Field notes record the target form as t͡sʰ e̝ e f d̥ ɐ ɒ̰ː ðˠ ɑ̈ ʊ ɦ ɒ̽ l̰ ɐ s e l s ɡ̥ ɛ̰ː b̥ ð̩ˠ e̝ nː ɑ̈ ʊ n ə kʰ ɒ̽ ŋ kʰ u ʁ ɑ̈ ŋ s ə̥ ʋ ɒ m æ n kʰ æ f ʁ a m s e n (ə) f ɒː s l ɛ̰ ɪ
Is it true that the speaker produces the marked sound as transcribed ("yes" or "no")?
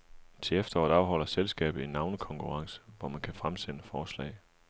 yes